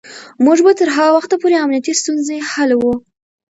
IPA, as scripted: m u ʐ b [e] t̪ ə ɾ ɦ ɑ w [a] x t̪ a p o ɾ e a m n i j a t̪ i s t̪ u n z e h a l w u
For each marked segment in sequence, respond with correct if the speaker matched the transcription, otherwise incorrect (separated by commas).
incorrect, correct